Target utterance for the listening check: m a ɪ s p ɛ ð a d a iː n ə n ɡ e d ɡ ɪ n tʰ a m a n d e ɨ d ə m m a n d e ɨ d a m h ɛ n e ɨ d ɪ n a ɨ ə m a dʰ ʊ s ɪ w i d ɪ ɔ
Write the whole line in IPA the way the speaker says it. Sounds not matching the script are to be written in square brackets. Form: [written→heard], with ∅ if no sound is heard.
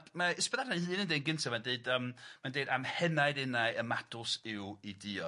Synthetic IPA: m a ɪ s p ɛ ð a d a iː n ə n [ɡ→d] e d ɡ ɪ n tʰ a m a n d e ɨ d ə m m a n d e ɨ d a m h ɛ n [e→a] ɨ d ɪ n a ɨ ə m a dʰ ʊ s ɪ w i d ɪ ɔ